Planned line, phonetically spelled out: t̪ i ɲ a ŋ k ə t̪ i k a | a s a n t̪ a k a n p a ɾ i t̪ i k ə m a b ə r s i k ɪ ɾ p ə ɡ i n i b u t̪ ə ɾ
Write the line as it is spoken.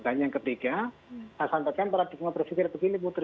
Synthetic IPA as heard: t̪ a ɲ a ŋ k ə t̪ i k a | a s a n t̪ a k a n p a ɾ a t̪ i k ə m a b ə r f i k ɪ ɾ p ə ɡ i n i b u t̪ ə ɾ